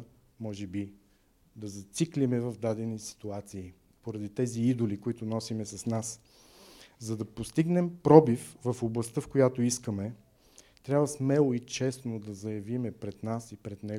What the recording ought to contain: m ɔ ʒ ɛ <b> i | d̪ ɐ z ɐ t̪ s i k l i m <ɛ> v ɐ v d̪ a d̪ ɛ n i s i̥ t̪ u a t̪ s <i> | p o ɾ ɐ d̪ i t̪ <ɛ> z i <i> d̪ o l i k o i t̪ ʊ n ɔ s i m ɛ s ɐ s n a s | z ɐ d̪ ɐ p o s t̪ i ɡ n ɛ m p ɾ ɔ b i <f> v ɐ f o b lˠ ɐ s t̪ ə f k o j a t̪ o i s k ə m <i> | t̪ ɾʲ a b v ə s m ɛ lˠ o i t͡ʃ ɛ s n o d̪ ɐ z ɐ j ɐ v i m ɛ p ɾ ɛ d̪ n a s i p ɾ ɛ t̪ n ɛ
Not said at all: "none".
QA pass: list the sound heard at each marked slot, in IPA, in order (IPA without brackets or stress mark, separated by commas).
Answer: b, ɛ, iː, ɛ, i, f, ɛ